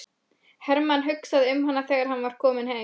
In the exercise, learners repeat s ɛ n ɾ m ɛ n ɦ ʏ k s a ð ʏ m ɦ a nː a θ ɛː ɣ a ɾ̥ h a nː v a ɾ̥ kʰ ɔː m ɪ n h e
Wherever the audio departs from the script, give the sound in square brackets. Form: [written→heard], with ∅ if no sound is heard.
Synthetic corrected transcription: [s→h] ɛ [n→∅] ɾ m [ɛ→a] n ɦ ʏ k s a ð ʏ m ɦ a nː a θ ɛː ɣ a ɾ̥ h a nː v a ɾ̥ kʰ ɔː m ɪ n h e